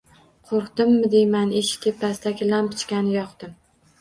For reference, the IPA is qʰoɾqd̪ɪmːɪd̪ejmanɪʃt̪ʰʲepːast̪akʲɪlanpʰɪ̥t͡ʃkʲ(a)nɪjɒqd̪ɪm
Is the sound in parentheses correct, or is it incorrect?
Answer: correct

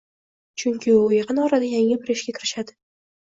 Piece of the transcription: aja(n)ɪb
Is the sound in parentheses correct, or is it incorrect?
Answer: incorrect: ŋ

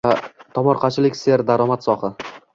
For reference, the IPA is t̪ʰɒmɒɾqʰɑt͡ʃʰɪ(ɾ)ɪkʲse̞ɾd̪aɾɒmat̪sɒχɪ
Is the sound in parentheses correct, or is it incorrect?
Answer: incorrect: l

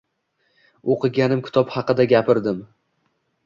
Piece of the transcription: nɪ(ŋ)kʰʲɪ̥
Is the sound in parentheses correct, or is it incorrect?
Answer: incorrect: m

